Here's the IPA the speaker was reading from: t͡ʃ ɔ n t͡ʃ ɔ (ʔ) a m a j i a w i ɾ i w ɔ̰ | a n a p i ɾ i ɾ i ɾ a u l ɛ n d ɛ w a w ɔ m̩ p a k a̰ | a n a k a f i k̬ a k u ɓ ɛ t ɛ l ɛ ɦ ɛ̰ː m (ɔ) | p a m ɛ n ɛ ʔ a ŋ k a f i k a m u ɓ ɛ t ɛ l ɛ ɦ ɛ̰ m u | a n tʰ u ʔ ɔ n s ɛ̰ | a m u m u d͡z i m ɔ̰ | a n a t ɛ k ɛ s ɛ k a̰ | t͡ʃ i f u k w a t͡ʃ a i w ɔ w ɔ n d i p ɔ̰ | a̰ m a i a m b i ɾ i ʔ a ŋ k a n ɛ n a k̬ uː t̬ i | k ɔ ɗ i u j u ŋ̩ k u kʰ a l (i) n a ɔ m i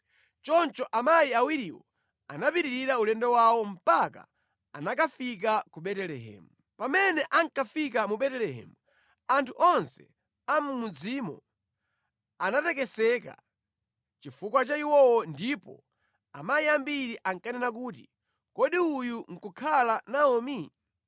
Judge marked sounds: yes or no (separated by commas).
yes, no, no